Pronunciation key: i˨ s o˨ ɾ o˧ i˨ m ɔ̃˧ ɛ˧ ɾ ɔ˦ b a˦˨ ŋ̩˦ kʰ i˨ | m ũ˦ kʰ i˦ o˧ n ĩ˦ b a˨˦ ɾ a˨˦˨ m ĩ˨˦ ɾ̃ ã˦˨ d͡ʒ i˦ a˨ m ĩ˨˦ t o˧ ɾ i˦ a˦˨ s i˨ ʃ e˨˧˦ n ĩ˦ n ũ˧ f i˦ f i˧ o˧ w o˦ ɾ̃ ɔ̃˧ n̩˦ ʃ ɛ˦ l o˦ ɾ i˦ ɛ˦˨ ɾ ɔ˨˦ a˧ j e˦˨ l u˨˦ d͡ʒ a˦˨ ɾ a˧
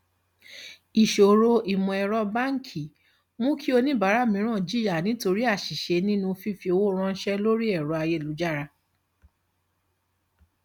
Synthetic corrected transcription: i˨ ʃ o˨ ɾ o˧ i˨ m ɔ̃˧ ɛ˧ ɾ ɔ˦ b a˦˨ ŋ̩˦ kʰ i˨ | m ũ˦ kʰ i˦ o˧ n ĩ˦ b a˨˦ ɾ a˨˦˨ m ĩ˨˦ ɾ̃ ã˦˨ d͡ʒ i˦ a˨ n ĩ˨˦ t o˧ ɾ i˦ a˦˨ ʃ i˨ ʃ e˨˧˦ n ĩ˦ n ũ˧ f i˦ f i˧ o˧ w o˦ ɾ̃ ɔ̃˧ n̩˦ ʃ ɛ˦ l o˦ ɾ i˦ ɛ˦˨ ɾ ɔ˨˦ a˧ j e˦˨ l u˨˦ d͡ʒ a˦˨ ɾ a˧